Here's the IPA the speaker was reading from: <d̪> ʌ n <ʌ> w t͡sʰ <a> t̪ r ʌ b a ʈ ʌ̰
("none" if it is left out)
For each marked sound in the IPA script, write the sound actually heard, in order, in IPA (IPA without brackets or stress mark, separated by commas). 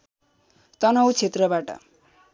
t̪, ʌ, e